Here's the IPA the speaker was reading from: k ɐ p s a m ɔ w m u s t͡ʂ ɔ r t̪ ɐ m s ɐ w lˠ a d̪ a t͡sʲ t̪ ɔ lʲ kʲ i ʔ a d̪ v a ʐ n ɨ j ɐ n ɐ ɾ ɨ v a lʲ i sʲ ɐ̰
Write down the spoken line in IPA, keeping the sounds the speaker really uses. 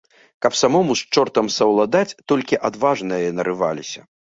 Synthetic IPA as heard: k ɐ p s a m ɔ m u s t͡ʂ ɔ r t̪ ɐ m s ɐ w lˠ a d̪ a t͡sʲ t̪ ɔ lʲ kʲ i ʔ a d̪ v a ʐ n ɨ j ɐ n ɐ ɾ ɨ v a lʲ i sʲ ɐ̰